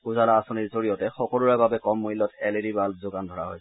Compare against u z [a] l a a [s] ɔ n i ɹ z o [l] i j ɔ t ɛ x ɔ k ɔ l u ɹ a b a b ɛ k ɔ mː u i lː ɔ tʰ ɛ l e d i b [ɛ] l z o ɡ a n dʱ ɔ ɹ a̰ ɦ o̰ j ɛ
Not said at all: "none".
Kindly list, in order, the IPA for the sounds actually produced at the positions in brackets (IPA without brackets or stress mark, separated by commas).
a, s, ɹ, a